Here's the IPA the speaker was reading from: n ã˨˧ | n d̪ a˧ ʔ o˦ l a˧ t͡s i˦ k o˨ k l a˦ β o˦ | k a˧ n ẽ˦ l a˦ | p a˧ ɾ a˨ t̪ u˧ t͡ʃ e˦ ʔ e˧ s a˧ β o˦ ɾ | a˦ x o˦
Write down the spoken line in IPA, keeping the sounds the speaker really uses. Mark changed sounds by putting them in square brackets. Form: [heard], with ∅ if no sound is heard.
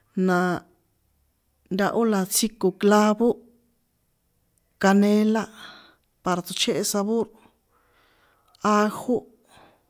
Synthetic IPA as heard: n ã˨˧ | n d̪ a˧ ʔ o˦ l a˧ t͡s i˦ k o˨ k l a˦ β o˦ | k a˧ n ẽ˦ l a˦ | p a˧ ɾ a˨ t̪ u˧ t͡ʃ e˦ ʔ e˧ s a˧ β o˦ ɾ | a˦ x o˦